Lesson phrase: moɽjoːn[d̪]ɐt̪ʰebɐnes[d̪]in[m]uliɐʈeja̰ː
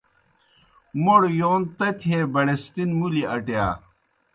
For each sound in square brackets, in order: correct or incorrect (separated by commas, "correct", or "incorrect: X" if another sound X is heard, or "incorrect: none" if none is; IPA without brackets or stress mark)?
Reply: incorrect: t̪, incorrect: t̪, correct